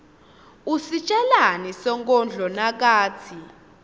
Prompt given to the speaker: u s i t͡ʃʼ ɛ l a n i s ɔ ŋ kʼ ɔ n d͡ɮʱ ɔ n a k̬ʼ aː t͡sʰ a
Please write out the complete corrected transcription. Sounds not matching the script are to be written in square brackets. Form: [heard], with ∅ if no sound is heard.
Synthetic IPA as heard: u s i t͡ʃʼ ɛ l a n i s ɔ ŋ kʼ ɔ n d͡ɮʱ ɔ n a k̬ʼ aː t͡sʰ [i]